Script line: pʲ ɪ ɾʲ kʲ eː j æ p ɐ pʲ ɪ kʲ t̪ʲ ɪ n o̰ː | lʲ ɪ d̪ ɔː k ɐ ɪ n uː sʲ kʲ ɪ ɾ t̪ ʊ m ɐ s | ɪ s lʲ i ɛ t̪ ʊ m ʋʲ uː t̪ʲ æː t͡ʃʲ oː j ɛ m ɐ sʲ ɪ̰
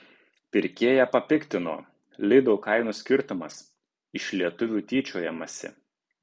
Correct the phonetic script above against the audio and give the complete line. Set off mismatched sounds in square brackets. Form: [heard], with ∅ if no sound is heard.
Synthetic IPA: pʲ ɪ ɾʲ kʲ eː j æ p ɐ pʲ ɪ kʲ t̪ʲ ɪ n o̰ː | lʲ ɪ d̪ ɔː k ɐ ɪ n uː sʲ kʲ ɪ ɾ t̪ ʊ m ɐ s | ɪ [ʃ] lʲ i ɛ t̪ ʊ [∅] ʋʲ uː t̪ʲ [iː] t͡ʃʲ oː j ɛ m ɐ sʲ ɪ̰